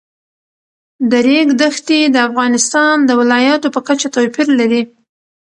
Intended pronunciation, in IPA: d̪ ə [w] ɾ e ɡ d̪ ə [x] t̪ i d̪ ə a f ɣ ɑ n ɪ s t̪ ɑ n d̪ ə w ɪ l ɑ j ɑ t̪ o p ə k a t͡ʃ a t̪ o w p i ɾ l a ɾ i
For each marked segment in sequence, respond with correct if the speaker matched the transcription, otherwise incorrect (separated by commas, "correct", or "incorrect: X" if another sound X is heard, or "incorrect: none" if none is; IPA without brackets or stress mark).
incorrect: none, correct